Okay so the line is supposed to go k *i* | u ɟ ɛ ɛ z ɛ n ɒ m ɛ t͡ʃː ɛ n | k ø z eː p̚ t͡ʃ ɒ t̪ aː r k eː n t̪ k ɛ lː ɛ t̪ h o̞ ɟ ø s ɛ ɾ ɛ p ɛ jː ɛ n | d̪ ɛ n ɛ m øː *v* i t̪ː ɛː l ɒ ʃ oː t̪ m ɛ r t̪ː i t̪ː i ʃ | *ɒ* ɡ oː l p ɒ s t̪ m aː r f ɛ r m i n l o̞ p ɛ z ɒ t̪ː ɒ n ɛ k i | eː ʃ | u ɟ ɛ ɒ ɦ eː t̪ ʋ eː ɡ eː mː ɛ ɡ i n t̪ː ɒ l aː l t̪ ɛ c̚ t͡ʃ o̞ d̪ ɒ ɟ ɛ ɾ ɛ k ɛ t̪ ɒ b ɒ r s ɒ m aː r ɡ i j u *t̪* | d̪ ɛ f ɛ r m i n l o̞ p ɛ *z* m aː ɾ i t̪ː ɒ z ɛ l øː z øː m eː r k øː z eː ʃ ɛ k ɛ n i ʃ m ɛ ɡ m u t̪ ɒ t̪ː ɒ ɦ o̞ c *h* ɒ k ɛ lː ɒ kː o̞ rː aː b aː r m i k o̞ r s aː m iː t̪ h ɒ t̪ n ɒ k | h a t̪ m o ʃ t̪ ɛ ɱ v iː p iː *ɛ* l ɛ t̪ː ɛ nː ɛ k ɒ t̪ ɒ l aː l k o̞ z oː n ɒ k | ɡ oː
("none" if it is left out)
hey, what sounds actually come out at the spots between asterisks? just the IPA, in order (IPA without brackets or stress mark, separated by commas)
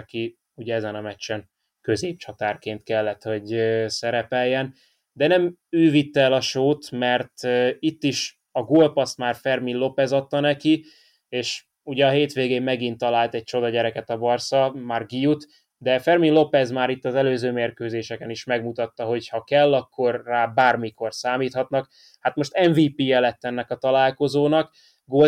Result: i, v, ɒ, t̪, z, h, ɛ